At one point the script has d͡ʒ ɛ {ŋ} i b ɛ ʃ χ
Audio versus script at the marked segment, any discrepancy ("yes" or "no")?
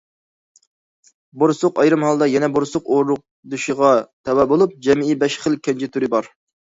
yes